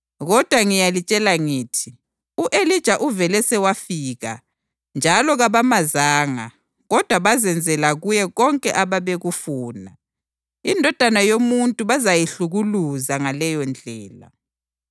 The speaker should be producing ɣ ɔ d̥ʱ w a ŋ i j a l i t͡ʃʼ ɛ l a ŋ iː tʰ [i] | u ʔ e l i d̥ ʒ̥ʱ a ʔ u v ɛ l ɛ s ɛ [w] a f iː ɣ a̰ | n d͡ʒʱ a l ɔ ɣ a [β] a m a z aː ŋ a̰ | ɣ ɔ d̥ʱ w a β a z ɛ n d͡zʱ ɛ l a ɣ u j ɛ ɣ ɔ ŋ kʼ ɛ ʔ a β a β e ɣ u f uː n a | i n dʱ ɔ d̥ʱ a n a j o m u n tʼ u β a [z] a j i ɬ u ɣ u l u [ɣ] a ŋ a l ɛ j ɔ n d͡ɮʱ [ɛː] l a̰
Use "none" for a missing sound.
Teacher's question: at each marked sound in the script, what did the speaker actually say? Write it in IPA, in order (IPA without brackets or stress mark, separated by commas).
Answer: i, w, β, z, z, ɛː